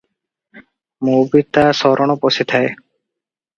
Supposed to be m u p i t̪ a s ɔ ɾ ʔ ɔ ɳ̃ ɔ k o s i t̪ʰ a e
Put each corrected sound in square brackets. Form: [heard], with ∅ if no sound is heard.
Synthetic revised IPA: m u [b] i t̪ a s ɔ ɾ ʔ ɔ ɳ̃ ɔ [p] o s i t̪ʰ a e